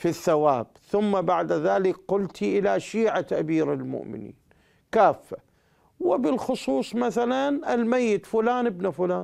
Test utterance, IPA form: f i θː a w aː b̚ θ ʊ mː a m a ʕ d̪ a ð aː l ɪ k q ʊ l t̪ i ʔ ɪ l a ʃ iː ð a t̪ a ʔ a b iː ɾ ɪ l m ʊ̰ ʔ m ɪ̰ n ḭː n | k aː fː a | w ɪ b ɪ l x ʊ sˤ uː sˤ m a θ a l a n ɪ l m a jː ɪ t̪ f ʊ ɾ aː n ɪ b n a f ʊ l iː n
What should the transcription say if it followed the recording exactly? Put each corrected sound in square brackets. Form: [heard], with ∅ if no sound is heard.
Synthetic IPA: f i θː a w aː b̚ θ ʊ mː a [b] a ʕ d̪ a ð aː l ɪ k q ʊ l t̪ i ʔ ɪ l a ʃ iː [ʕ] a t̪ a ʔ a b iː ɾ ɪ l m ʊ̰ ʔ m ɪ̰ n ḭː n | k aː fː a | w ɪ b ɪ l x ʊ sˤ uː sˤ m a θ a l a n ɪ l m a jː ɪ t̪ f ʊ [l] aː n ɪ b n a f ʊ l [aː] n